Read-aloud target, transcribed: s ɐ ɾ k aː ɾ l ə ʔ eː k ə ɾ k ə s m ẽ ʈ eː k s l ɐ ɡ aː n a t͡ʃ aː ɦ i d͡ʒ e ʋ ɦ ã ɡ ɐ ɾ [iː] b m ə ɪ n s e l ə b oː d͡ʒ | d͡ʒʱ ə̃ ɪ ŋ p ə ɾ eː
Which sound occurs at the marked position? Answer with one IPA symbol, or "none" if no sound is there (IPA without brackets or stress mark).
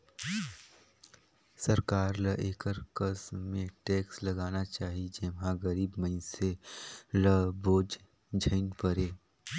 iː